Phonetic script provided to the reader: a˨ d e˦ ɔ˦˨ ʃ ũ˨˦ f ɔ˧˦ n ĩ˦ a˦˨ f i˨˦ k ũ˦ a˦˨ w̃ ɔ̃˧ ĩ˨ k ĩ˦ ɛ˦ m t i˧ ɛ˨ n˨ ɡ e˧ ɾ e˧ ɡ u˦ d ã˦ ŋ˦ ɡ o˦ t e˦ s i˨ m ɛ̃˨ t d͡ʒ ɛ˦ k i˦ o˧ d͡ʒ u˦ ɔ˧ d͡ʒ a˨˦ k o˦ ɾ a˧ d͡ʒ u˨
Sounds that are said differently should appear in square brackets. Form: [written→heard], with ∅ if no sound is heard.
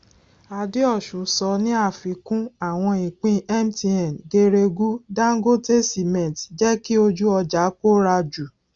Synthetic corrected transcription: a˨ d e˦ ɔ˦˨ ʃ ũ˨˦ [f→s] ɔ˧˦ n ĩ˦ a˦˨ f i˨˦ k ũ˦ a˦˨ w̃ ɔ̃˧ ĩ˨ [k→k͡p] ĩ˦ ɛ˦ m t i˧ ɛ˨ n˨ ɡ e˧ ɾ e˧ ɡ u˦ d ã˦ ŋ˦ ɡ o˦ t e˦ s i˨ m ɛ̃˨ t d͡ʒ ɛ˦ k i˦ o˧ d͡ʒ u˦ ɔ˧ d͡ʒ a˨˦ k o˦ ɾ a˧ d͡ʒ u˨